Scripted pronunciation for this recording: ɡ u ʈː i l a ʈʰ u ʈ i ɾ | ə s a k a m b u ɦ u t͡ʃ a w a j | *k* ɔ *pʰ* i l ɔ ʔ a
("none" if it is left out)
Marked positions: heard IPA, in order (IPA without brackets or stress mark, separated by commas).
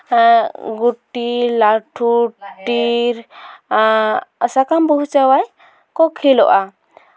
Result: k, kʰ